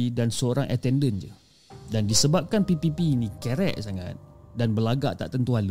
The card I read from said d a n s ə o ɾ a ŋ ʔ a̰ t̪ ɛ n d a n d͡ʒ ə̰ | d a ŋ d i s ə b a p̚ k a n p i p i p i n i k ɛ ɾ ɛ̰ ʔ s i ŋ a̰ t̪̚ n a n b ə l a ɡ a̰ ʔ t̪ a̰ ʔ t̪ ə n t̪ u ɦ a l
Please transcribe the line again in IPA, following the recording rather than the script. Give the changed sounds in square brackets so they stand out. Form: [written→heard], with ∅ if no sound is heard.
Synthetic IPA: d a n s ə o ɾ a ŋ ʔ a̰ t̪ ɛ n d [a→ə] n d͡ʒ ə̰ | d a [ŋ→n] d i s ə b a p̚ k a n p i p i p i n i k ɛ ɾ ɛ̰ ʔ s [i→a] ŋ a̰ t̪̚ [n→d] a n b ə l a ɡ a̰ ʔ t̪ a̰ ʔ t̪ ə n t̪ u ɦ a l